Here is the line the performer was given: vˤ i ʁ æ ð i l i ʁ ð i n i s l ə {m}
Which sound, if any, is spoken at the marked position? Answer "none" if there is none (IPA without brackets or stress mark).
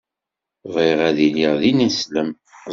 m